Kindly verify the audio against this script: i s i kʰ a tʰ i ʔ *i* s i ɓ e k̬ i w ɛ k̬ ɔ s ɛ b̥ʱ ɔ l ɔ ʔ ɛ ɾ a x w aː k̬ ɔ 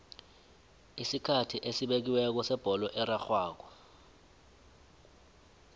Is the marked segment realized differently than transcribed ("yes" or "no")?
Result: yes